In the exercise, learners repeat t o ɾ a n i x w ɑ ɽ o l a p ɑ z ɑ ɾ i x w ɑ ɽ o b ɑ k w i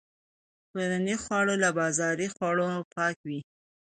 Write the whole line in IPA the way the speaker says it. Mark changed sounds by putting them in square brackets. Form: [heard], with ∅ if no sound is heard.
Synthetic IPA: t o ɾ a n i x w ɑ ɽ o l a [b] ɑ z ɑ ɾ i x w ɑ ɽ o [p] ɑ k w i

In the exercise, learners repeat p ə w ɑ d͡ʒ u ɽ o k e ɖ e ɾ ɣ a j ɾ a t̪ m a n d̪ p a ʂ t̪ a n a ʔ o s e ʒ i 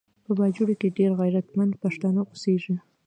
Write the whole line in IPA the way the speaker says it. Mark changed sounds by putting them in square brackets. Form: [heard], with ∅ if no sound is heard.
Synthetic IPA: p ə [b] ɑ d͡ʒ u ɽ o k e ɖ e ɾ ɣ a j ɾ a t̪ m a n d̪ p a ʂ t̪ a n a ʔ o s e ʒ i

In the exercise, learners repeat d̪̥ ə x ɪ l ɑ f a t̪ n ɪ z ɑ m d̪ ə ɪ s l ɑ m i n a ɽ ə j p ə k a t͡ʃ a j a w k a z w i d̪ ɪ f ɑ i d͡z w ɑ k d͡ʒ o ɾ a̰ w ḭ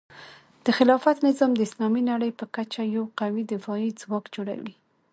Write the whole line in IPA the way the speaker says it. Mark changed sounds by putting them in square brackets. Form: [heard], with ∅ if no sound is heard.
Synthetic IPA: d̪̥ ə x ɪ l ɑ f a t̪ n ɪ z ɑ m d̪ ə ɪ s l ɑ m i n a ɽ ə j p ə k a t͡ʃ a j a w [q] a [∅] w i d̪ ɪ f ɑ i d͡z w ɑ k d͡ʒ o [ɽ] a̰ w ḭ

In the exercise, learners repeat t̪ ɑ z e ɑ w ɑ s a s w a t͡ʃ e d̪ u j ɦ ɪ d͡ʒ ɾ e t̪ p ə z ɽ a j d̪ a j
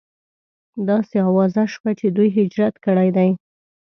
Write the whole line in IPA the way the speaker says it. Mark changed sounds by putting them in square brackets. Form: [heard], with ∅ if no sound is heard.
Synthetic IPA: [d̪] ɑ [s] e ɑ w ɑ [z] a [ʃ] w a t͡ʃ e d̪ u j ɦ ɪ d͡ʒ ɾ [a] t̪ [k] ə [∅] ɽ a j d̪ a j

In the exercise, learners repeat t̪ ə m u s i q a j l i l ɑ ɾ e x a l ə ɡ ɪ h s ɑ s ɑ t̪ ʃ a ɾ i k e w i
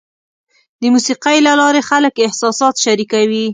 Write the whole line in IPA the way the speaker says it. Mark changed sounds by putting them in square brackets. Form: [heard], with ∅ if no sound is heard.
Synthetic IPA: [d̪] ə m u s i q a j l [a] l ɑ ɾ e x a l ə [k] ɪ h s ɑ s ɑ t̪ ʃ a ɾ i k [a] w i

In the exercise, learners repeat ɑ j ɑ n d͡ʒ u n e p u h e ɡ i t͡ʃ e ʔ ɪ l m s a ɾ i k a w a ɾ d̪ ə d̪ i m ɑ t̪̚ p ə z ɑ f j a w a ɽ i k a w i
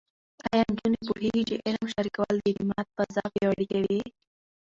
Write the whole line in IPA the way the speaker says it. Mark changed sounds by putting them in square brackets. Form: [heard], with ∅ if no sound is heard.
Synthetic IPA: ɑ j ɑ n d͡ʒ u n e p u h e ɡ i t͡ʃ e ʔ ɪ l m [ʃ] a ɾ i k a w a [l] d̪ ə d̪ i m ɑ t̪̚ p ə z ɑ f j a w a ɽ i k a w i

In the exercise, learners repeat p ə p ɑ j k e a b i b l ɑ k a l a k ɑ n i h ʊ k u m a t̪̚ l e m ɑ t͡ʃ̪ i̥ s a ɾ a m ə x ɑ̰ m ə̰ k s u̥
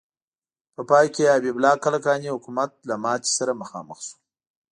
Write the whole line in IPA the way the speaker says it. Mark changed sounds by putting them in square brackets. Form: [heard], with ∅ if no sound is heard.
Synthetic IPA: p ə p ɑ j k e a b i b l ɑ k a l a k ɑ n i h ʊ k u m a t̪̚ l [a] m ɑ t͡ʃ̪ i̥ s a ɾ a m ə x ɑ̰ m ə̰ [x] s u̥

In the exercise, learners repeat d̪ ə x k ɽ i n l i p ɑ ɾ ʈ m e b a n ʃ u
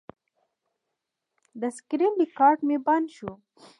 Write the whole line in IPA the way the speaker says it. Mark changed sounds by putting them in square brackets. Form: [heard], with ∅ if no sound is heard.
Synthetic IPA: d̪ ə [s] k [ɾ] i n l i [k] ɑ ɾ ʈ m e b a n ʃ u

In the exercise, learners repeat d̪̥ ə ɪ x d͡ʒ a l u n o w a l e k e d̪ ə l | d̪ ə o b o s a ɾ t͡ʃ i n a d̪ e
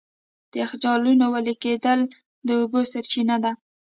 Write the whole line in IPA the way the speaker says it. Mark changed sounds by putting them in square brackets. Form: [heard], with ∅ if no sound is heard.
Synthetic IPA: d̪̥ ə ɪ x d͡ʒ [ɑ] l u n o w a l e k e d̪ ə l | d̪ ə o b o s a ɾ t͡ʃ i n a d̪ [a]

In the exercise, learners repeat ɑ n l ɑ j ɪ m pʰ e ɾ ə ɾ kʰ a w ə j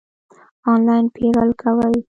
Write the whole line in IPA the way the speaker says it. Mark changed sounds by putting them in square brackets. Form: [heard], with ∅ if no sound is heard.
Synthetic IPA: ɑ n l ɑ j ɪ [n] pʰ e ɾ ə [l] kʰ a w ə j

